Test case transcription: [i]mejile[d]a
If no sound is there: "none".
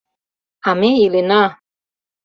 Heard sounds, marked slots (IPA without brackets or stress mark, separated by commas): a, n